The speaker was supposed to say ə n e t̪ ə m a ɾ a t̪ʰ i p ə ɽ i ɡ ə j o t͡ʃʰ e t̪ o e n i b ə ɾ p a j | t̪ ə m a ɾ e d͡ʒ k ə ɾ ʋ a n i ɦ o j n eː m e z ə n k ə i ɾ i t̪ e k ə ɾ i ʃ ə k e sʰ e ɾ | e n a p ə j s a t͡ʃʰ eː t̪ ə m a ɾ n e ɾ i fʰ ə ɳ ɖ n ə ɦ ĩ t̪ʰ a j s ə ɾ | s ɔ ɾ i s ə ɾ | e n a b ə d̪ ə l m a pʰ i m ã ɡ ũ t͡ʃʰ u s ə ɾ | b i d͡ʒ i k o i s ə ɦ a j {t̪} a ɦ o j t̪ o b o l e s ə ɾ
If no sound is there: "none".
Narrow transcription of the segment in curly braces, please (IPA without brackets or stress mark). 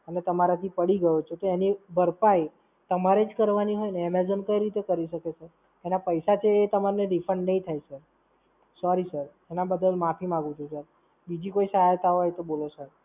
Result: t̪